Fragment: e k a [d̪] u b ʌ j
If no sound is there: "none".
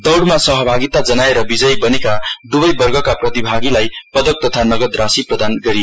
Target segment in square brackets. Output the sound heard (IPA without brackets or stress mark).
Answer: d̪